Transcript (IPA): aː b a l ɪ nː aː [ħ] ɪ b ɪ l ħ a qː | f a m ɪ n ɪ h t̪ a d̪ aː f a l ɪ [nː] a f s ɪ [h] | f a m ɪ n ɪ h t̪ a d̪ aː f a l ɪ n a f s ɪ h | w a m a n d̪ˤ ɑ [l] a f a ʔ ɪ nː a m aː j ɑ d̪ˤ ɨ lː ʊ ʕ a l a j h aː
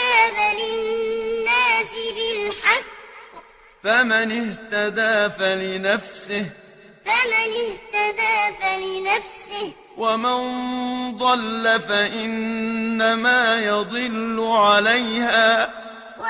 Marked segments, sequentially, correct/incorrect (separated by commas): incorrect, incorrect, correct, incorrect